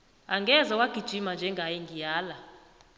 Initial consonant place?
velar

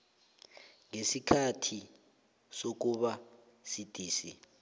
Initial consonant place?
velar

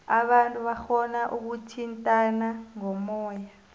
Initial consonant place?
labial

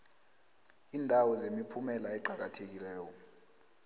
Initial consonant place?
alveolar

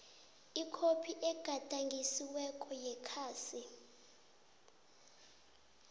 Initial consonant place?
velar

